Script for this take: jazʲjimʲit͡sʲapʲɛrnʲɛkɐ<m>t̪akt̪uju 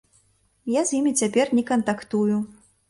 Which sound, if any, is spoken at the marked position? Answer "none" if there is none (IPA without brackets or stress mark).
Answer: n